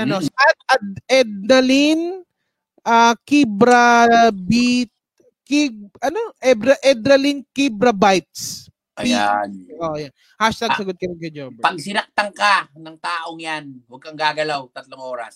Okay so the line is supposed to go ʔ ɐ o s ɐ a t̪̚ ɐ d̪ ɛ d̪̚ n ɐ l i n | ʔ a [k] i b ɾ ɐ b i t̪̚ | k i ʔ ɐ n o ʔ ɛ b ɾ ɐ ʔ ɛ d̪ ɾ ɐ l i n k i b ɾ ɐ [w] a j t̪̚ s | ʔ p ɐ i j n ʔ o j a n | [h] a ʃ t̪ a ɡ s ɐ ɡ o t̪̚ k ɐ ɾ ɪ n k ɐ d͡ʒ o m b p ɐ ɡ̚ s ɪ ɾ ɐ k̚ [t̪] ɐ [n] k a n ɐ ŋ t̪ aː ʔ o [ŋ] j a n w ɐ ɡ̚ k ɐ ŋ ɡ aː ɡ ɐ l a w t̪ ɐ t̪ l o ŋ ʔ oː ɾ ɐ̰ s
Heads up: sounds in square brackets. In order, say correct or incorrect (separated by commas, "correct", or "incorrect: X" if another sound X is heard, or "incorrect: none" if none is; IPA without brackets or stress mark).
correct, incorrect: b, correct, correct, incorrect: ŋ, correct